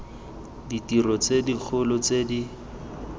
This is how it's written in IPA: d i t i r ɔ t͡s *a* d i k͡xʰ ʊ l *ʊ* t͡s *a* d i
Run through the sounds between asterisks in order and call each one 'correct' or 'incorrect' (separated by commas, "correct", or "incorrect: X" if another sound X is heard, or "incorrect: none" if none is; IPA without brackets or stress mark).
incorrect: e, correct, incorrect: e